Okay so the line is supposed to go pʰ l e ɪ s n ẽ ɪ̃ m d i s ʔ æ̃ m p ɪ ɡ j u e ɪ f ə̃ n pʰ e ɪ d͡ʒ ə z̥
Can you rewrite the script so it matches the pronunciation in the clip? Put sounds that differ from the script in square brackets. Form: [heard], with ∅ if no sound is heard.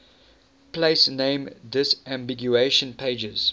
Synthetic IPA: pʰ l e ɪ s n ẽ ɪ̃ m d [ɪ] s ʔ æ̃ m [b] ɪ ɡ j u e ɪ [ʃ] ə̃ n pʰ e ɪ d͡ʒ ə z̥